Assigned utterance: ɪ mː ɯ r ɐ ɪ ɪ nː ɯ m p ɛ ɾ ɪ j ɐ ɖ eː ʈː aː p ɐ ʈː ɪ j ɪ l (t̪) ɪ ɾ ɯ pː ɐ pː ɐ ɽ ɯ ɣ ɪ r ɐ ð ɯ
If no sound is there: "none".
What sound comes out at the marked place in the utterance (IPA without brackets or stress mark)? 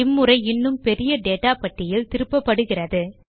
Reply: t̪